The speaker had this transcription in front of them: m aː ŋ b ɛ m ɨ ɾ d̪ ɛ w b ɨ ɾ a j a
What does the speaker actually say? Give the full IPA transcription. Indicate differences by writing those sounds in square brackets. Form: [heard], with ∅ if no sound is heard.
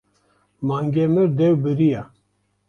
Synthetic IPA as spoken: m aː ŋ [ɡ] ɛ m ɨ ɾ d̪ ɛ w b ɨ ɾ [i] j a